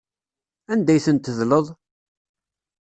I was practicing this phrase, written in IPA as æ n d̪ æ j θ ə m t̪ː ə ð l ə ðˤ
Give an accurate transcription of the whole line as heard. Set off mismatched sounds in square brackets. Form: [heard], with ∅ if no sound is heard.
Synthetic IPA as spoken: æ n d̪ æ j θ ə [n] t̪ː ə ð l ə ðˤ

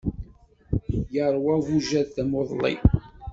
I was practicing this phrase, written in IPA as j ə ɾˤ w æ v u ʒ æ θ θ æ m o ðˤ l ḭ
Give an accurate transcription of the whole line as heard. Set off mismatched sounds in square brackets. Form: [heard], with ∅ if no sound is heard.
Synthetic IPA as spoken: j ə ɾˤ w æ v u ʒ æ [ð] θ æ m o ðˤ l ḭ

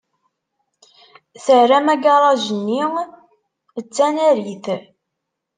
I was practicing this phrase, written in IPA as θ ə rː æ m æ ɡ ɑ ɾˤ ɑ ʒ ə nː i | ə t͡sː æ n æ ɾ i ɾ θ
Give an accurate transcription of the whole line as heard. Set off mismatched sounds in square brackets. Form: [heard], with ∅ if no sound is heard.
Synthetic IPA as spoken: θ ə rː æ m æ ɡ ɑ ɾˤ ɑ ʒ ə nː i | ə t͡sː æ n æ ɾ i [∅] θ

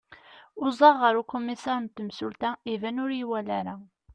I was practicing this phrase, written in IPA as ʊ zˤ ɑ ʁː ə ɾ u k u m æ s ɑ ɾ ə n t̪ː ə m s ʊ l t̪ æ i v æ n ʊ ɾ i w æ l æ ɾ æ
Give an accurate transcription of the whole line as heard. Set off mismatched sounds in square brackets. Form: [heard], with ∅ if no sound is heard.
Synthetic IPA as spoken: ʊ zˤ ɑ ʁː ə ɾ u k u m [i] s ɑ ɾ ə n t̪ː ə m s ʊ l t̪ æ i v æ n ʊ ɾ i w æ l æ ɾ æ

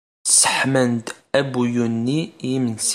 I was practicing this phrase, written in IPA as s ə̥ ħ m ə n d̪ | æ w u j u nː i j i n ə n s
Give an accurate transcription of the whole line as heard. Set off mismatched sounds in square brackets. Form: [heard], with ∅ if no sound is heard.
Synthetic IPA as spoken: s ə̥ ħ m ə n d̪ | æ [b] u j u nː i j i [m] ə n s

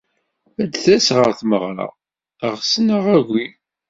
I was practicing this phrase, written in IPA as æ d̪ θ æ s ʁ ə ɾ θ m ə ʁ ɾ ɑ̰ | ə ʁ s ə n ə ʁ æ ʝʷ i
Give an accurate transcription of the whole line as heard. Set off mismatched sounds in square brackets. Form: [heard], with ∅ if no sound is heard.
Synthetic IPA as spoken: æ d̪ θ æ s ʁ ə ɾ θ m ə ʁ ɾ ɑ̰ | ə ʁ s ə n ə ʁ æ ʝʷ i

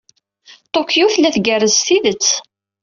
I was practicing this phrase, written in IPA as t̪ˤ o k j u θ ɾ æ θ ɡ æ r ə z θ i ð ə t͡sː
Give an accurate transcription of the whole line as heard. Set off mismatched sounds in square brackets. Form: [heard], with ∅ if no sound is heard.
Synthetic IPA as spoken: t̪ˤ o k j u θ [l] æ θ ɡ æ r ə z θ i ð ə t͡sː

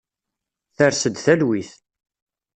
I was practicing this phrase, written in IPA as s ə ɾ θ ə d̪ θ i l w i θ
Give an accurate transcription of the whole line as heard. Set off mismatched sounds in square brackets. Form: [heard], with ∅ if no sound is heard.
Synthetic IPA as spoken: [θ] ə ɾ [s] ə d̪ θ [æ] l w i θ

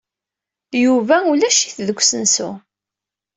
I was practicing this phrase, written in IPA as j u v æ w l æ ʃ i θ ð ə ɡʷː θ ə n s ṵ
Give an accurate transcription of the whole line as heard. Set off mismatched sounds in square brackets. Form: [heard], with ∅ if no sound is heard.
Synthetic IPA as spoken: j u v æ [u] l æ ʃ i θ ð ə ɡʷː [s] ə n s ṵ

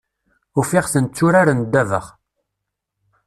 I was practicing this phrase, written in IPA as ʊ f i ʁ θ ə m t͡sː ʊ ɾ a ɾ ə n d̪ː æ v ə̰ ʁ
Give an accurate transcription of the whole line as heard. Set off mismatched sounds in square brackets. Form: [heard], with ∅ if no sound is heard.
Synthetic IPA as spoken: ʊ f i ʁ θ ə [n] t͡sː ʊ ɾ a ɾ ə n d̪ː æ v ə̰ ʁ

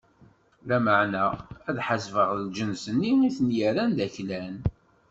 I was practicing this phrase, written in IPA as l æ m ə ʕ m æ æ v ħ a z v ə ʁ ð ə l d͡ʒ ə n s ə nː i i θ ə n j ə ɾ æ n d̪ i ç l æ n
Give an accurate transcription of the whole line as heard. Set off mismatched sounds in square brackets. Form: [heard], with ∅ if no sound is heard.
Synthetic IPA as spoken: l æ m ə ʕ [n] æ æ [ð] ħ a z v ə ʁ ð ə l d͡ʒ ə n s ə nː i i θ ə n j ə ɾ æ n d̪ [æ] ç l æ n

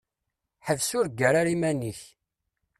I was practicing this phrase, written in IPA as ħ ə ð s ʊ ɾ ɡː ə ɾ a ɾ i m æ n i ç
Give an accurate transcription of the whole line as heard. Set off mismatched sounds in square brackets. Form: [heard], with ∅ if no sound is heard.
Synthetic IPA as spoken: ħ ə [v] s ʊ ɾ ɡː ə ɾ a ɾ i m æ n i ç

